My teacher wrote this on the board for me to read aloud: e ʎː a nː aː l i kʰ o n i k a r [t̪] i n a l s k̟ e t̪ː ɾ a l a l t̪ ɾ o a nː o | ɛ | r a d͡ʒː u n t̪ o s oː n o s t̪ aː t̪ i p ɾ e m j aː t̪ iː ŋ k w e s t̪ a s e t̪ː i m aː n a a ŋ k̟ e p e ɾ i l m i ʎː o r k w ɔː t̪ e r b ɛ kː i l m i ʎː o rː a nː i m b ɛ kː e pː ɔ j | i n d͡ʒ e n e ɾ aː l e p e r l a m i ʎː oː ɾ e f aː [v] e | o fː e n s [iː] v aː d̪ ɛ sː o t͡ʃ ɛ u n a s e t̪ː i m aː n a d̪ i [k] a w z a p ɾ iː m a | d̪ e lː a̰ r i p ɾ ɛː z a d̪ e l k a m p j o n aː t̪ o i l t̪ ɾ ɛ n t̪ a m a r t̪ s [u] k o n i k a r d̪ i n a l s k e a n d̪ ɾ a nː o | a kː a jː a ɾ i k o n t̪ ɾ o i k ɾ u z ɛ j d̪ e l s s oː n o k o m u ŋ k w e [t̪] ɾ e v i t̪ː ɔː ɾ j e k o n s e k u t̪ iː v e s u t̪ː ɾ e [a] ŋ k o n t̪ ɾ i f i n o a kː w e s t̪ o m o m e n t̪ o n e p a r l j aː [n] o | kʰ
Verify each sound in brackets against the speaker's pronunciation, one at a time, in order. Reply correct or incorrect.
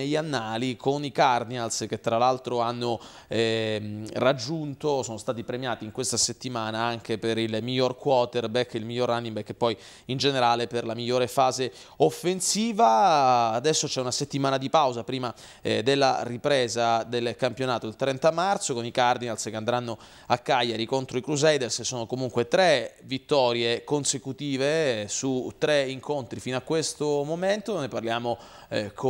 incorrect: d̪, incorrect: z, correct, incorrect: p, incorrect: o, correct, incorrect: i, incorrect: m

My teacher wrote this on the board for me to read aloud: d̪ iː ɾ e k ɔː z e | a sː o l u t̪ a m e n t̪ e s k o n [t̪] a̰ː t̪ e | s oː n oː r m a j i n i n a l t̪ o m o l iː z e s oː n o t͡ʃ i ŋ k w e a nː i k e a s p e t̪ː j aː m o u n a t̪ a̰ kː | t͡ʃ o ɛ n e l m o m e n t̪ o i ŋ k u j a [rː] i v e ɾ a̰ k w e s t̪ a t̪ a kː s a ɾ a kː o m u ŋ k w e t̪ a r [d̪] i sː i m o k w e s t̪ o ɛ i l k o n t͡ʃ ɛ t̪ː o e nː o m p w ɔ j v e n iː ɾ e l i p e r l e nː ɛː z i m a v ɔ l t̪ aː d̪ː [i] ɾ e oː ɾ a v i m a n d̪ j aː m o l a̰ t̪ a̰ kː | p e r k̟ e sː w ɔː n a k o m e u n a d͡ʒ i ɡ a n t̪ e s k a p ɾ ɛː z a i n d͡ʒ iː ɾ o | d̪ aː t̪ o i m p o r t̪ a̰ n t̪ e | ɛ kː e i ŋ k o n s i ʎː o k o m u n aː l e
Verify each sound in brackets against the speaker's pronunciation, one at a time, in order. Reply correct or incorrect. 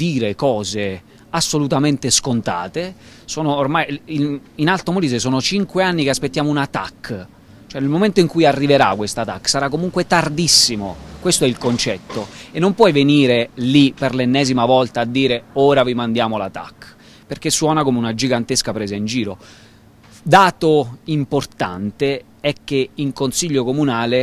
correct, correct, correct, incorrect: iː

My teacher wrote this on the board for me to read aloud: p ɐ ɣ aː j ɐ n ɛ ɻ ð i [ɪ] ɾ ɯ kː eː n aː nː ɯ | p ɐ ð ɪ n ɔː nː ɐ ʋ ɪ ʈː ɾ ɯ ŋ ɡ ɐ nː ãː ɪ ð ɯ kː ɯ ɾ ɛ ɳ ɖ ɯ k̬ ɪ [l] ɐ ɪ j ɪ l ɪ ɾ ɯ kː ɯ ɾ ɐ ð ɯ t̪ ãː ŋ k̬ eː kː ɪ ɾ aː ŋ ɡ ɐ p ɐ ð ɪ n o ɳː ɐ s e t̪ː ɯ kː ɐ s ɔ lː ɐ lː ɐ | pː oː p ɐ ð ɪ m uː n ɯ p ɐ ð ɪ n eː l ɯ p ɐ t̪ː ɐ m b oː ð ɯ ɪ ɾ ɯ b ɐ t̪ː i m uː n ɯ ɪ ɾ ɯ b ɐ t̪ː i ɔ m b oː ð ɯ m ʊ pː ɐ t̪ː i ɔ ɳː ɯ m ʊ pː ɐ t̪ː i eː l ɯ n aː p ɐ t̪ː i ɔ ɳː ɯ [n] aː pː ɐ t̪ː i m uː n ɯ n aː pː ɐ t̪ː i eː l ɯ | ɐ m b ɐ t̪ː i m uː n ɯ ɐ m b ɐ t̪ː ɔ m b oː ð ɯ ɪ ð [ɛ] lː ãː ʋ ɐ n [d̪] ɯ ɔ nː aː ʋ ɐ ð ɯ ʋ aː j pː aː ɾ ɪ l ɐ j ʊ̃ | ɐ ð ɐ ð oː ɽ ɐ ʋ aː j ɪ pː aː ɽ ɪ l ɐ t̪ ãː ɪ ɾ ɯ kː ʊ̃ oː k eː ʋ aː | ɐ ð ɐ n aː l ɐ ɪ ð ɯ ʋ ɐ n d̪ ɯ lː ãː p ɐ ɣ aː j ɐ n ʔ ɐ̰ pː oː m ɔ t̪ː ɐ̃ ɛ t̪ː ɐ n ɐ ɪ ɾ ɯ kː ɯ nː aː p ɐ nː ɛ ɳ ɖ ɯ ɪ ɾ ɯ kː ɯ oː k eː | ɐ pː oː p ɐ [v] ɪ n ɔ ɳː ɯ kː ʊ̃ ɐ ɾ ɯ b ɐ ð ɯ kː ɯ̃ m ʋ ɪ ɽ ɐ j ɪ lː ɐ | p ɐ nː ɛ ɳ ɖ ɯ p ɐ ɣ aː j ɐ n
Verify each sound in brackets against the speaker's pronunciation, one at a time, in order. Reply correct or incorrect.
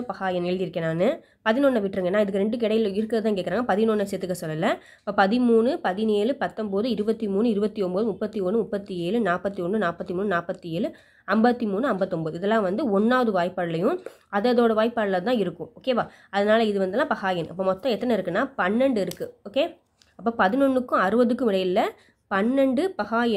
correct, incorrect: ɽ, correct, correct, correct, incorrect: ð

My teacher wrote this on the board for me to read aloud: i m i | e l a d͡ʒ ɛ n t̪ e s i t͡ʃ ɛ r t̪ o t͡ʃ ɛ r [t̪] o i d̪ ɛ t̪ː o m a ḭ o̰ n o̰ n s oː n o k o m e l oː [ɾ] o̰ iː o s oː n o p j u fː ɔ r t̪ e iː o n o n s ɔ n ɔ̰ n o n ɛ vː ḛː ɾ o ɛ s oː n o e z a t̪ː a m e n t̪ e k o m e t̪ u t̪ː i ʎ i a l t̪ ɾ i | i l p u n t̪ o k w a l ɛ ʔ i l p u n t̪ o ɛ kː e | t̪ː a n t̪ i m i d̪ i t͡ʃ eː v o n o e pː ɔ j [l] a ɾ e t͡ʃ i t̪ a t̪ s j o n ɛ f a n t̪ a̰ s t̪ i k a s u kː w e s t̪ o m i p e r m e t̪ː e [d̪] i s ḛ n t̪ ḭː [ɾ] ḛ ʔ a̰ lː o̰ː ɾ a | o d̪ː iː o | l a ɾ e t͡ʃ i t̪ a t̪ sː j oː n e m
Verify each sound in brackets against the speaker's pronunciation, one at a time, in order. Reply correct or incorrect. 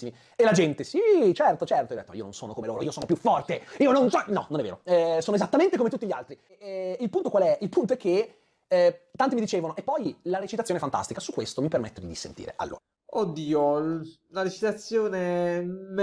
correct, correct, correct, correct, correct

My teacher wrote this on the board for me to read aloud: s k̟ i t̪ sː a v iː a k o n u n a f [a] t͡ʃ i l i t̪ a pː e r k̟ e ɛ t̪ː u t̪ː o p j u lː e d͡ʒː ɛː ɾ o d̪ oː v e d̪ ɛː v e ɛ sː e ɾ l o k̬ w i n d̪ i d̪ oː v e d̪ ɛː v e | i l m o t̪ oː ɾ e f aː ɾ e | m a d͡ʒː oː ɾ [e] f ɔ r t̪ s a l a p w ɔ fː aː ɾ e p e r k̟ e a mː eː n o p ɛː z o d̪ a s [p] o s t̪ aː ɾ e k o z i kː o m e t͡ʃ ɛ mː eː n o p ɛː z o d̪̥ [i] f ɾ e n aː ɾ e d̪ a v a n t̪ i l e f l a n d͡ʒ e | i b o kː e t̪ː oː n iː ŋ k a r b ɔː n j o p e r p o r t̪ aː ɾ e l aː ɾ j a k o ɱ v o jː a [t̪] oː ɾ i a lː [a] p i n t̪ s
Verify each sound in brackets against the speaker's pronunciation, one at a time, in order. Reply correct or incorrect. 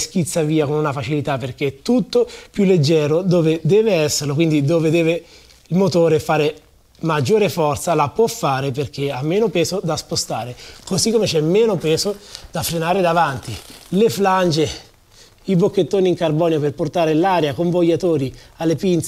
correct, correct, correct, incorrect: a, correct, incorrect: e

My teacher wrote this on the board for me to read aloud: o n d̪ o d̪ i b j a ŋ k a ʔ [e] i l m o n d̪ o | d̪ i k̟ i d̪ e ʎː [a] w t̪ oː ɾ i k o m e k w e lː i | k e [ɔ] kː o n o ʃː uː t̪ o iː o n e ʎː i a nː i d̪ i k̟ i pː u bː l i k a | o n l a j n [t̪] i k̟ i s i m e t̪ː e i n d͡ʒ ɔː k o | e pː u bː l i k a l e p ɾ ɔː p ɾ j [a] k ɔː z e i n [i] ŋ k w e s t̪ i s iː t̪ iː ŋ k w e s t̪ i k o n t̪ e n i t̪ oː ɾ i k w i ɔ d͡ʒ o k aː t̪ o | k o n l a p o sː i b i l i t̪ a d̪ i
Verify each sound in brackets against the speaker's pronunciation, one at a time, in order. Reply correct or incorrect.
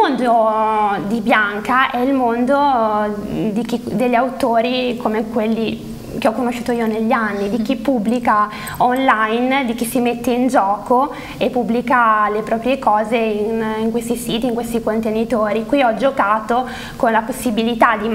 incorrect: ɛ, correct, correct, incorrect: d̪, incorrect: e, correct

